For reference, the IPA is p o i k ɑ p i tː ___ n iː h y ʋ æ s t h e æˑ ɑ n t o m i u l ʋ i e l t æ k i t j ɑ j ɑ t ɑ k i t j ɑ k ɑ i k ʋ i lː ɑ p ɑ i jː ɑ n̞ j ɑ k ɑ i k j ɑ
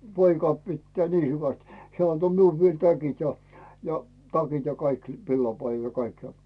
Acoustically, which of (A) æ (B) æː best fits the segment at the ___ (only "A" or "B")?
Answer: B